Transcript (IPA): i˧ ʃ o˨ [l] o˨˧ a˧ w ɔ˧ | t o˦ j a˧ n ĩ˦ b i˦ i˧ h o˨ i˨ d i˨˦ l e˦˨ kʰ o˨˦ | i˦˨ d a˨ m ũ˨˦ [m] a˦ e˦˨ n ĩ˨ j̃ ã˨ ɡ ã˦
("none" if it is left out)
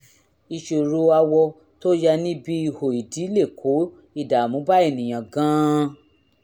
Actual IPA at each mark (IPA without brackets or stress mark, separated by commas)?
ɾ, b